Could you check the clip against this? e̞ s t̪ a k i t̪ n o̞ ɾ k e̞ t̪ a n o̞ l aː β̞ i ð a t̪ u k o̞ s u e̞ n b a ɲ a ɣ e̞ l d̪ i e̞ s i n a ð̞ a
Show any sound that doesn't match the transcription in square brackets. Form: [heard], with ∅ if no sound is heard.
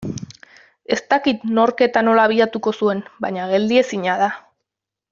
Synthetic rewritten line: e̞ s t̪ a k i t̪ n o̞ ɾ k e̞ t̪ a n o̞ l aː β̞ i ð a t̪ u k o̞ s u e̞ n b a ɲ a ɣ e̞ l d̪ i e̞ s i [ɲ] a ð̞ a